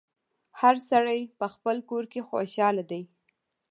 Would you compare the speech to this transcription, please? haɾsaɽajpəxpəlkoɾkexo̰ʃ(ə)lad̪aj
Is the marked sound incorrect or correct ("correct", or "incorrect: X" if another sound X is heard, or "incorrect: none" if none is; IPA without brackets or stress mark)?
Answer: incorrect: ɑ